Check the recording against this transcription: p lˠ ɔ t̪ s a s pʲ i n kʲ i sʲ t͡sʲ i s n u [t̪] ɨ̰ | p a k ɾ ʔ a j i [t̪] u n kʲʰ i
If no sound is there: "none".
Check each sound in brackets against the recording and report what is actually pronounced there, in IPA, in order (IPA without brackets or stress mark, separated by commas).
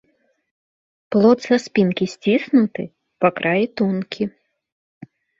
t̪, t̪